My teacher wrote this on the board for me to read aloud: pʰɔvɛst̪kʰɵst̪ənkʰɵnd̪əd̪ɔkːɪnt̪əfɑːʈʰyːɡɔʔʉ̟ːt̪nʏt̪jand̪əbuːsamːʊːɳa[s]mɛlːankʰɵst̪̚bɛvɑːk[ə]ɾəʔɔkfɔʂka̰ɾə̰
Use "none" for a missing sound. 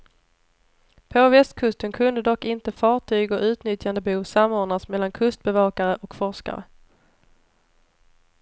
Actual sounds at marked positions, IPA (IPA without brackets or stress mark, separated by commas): s, a